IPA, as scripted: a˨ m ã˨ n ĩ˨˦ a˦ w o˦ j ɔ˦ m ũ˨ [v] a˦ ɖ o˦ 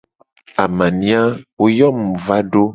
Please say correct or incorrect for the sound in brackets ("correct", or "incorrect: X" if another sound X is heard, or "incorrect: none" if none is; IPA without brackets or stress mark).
correct